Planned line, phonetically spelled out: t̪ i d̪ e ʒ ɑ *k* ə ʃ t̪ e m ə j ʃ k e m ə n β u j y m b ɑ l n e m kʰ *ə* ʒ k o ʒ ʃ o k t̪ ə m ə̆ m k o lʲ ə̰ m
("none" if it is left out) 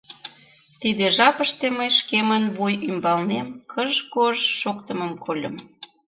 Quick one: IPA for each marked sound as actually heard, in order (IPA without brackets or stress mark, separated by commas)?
p, ə